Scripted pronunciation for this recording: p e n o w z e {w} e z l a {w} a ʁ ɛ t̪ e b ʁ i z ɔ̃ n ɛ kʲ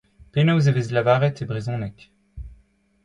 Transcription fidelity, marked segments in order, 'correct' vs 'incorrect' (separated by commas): incorrect, incorrect